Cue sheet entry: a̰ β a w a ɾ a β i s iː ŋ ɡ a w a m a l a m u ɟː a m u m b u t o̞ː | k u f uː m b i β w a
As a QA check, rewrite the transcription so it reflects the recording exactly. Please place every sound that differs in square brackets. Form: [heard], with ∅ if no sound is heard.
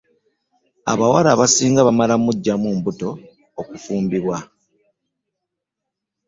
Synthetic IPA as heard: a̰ β a w a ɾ a β [a] s iː ŋ ɡ a [β] a m a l a m u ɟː a m u m b u t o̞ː | k u f uː m b i β w a